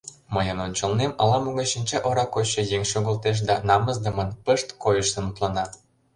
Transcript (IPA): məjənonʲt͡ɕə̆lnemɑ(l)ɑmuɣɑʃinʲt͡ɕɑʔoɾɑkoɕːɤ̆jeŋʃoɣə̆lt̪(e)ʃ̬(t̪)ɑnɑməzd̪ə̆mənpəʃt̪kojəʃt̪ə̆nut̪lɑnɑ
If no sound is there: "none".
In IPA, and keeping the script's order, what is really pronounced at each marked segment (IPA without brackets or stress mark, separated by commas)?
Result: l, e, d̪